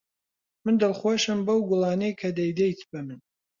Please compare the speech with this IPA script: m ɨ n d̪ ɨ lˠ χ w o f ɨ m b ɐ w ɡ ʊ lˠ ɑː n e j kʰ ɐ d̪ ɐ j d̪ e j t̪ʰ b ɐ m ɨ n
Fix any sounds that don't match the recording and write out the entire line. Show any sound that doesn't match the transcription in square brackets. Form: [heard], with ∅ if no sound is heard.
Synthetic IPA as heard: m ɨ n d̪ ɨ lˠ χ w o [ʃ] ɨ m b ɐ w ɡ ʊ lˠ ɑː n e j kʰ ɐ d̪ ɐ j d̪ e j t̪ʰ b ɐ m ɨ n